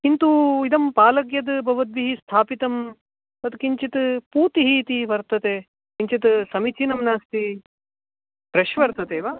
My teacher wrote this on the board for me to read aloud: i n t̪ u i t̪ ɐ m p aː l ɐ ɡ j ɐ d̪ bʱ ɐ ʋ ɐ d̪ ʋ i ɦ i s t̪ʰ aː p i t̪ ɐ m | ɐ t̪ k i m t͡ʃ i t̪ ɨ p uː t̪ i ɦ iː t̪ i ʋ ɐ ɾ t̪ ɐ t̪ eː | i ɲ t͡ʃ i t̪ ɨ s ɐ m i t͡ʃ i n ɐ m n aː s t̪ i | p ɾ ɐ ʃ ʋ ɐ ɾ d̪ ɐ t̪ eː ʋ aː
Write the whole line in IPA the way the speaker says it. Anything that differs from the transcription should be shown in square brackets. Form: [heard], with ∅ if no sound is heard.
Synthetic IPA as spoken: i n t̪ u i [d̪] ɐ m p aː l ɐ ɡ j ɐ d̪ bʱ ɐ ʋ ɐ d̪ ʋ i ɦ i s t̪ʰ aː p i t̪ ɐ m | ɐ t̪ k i [ɲ] t͡ʃ i t̪ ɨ p uː t̪ i ɦ iː t̪ i ʋ ɐ ɾ t̪ ɐ t̪ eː | i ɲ t͡ʃ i t̪ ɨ s ɐ m i t͡ʃ i n ɐ m n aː s t̪ i | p ɾ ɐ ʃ ʋ ɐ ɾ [t̪] ɐ t̪ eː ʋ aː

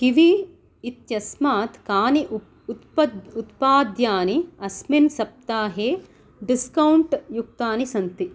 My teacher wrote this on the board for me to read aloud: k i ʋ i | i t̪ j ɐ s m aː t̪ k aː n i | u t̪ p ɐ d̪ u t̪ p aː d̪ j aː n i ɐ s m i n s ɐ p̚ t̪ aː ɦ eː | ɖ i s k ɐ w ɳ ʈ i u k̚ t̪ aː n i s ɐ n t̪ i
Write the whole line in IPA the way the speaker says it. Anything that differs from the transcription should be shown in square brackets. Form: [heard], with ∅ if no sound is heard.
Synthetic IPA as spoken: k i ʋ i | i t̪ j ɐ s m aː t̪ k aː n i | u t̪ p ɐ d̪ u t̪ p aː d̪ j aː n i ɐ s m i n s ɐ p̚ t̪ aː ɦ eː | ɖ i s k ɐ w ɳ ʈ [j] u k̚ t̪ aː n i s ɐ n t̪ i

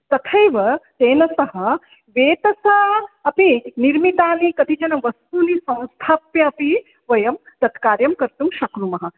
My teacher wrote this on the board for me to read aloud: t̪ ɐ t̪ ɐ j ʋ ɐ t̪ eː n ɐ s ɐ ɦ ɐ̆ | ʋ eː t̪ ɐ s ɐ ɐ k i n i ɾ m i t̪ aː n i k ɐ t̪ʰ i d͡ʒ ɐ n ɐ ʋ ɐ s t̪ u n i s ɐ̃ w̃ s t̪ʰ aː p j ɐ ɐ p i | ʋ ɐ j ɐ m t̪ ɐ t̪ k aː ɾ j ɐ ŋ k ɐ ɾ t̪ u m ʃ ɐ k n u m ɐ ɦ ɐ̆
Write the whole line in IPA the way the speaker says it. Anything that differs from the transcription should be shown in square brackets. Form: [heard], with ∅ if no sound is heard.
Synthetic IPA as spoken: t̪ ɐ [t̪ʰ] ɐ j ʋ ɐ t̪ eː n ɐ s ɐ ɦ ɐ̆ | ʋ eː t̪ ɐ s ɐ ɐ [p] i n i ɾ m i t̪ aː n i k ɐ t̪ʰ i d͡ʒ ɐ n ɐ ʋ ɐ s t̪ u n i s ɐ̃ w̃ s t̪ʰ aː p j ɐ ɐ p i | ʋ ɐ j ɐ m t̪ ɐ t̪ k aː ɾ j ɐ [m] k ɐ ɾ t̪ u m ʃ ɐ k n u m ɐ ɦ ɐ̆

